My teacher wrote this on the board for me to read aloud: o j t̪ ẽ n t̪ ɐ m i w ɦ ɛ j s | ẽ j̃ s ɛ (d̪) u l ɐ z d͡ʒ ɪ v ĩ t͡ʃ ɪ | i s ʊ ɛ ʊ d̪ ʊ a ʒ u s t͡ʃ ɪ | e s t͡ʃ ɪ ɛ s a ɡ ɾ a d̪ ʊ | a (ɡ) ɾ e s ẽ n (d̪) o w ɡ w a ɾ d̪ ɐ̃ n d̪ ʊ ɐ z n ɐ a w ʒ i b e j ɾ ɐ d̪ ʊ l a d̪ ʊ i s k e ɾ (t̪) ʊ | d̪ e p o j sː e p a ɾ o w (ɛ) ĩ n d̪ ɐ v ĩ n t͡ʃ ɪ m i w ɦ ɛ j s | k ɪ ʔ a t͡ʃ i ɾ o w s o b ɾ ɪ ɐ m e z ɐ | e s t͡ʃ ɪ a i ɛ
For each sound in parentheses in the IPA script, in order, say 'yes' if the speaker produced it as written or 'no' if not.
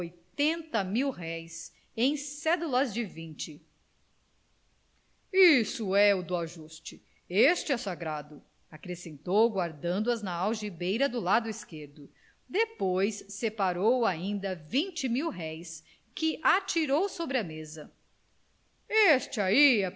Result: yes, no, no, no, no

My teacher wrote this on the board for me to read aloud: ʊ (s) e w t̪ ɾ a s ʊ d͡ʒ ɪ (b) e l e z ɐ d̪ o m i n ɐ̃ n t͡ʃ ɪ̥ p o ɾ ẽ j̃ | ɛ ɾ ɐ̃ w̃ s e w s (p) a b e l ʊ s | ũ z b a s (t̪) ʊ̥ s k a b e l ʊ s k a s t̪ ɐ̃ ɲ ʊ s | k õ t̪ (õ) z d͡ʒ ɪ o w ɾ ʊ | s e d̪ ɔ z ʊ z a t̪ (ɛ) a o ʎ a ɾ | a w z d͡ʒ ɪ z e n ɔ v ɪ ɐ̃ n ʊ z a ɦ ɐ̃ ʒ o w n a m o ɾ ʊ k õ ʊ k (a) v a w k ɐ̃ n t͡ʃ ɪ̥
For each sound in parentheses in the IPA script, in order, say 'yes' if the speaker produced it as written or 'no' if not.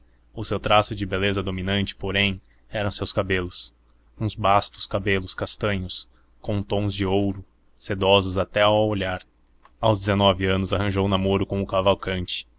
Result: yes, yes, no, yes, yes, yes, yes

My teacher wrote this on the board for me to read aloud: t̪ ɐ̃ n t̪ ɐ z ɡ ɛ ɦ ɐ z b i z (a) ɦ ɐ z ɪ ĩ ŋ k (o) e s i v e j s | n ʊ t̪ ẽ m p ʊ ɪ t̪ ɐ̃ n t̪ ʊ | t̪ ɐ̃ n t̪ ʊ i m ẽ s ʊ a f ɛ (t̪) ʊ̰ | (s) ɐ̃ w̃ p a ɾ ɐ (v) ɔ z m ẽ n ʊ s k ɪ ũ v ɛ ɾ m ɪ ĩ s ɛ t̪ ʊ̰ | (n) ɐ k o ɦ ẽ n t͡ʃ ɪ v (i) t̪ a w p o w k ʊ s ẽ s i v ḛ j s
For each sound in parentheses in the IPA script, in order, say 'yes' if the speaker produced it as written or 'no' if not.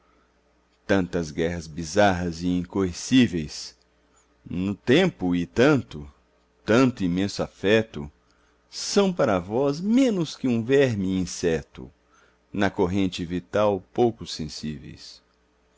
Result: yes, yes, yes, yes, yes, yes, yes

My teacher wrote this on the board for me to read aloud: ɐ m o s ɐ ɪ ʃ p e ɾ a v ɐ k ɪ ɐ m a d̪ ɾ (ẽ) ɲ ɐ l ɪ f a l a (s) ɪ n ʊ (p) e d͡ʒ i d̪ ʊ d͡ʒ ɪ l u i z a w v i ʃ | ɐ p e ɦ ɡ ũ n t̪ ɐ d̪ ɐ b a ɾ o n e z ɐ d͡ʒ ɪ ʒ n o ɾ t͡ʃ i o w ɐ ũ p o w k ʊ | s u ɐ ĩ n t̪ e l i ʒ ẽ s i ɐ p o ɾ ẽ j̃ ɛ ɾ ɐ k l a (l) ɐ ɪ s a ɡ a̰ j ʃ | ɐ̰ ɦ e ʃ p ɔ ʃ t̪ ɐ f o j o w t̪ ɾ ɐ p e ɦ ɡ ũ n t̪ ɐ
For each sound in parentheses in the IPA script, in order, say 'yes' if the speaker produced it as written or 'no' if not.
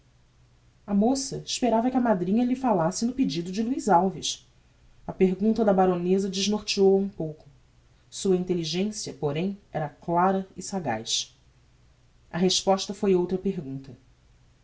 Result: no, yes, yes, no

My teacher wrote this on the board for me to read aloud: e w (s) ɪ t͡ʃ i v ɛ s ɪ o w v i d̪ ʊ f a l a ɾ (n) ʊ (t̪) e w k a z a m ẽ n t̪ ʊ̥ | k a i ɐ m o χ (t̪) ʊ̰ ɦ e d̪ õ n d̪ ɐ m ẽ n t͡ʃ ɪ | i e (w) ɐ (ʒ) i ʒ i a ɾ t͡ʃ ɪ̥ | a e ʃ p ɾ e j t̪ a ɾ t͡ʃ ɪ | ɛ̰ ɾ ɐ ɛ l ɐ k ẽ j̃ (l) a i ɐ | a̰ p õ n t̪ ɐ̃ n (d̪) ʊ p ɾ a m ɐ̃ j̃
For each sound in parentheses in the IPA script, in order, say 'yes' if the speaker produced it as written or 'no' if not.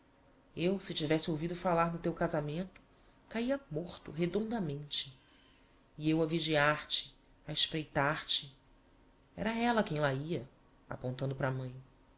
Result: yes, yes, yes, yes, yes, no, yes, yes

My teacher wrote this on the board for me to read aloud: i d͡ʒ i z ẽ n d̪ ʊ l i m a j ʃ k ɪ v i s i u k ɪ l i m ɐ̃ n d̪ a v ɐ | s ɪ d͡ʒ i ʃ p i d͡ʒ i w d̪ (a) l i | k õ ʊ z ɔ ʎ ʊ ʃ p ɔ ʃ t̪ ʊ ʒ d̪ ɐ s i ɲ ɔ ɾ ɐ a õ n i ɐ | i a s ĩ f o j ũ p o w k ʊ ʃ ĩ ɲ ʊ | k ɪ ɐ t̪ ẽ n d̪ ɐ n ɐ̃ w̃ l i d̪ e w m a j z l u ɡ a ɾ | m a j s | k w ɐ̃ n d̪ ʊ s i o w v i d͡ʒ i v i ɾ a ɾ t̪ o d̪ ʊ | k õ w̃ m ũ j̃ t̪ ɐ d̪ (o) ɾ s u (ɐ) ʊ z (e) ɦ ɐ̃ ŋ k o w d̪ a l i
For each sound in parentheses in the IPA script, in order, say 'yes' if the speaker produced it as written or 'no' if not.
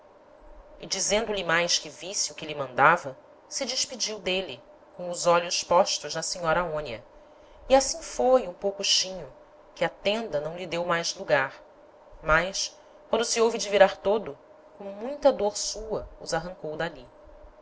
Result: no, yes, yes, no

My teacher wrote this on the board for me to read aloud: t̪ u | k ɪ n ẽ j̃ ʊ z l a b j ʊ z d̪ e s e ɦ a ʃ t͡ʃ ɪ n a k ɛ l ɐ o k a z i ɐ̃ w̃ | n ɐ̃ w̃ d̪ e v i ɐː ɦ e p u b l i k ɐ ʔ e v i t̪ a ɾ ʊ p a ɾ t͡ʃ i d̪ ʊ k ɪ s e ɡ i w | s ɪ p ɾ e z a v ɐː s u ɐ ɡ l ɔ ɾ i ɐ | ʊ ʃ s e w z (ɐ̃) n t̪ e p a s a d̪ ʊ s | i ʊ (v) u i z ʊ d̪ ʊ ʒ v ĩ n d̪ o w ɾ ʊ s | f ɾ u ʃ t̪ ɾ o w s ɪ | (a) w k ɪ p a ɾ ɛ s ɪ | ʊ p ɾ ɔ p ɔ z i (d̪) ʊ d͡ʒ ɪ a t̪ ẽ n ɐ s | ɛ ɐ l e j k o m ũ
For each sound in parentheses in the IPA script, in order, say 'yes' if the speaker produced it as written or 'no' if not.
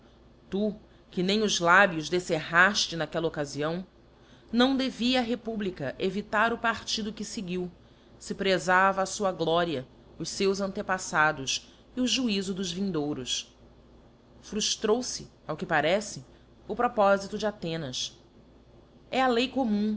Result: yes, no, yes, no

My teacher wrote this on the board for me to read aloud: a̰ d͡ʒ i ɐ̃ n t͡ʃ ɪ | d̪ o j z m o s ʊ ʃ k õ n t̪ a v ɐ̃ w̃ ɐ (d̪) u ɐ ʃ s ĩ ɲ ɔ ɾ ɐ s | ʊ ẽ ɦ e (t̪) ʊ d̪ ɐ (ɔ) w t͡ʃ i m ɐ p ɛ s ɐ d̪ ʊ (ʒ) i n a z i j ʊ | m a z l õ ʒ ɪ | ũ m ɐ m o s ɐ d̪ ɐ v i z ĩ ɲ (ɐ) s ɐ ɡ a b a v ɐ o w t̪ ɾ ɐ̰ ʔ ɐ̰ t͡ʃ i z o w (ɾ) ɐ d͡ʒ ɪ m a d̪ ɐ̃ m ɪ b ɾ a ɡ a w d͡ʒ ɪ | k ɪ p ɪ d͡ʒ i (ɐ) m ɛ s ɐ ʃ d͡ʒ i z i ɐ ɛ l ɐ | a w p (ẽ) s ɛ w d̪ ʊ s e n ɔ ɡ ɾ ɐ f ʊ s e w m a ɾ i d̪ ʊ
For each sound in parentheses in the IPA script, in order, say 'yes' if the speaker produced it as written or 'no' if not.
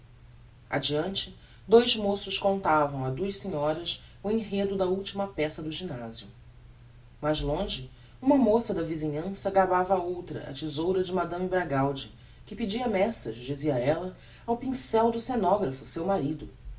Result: yes, no, no, yes, no, yes, yes, no

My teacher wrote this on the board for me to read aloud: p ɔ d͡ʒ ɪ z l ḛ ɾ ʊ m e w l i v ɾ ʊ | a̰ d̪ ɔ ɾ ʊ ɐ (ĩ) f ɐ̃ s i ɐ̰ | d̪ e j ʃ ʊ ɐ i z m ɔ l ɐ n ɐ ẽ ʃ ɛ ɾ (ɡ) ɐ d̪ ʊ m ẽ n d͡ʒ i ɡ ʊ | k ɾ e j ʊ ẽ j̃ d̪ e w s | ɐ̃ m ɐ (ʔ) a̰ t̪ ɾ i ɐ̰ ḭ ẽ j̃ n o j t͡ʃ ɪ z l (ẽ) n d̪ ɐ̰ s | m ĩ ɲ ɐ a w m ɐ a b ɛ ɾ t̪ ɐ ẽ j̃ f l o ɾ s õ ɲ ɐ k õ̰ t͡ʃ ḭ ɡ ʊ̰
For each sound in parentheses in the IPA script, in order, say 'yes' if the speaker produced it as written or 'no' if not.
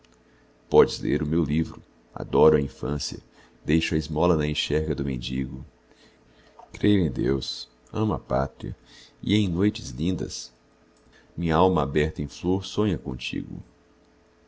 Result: yes, yes, no, no

